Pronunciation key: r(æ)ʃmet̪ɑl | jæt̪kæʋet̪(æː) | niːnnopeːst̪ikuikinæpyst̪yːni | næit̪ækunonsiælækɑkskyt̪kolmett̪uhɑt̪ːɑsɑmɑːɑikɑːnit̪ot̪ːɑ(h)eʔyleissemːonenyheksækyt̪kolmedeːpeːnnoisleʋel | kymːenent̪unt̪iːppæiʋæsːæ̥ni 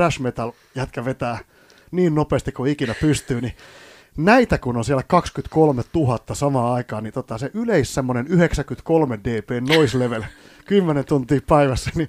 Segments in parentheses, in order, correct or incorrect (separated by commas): correct, correct, incorrect